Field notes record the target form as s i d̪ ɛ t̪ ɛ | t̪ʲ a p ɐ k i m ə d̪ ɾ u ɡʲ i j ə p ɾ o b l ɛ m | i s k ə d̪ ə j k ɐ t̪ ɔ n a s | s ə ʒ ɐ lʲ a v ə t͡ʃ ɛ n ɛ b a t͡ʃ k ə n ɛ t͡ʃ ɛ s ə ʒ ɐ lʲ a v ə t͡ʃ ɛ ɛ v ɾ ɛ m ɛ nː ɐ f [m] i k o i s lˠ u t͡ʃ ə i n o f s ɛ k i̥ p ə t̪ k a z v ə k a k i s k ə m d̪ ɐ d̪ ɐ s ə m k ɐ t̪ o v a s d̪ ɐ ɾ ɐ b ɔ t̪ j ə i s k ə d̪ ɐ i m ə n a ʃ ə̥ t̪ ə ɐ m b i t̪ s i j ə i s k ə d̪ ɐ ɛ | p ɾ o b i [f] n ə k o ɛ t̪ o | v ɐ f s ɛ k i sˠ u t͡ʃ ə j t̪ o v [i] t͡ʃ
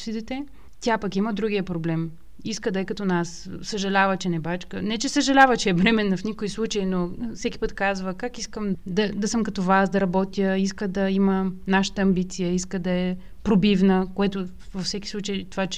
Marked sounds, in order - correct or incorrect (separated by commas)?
incorrect, incorrect, incorrect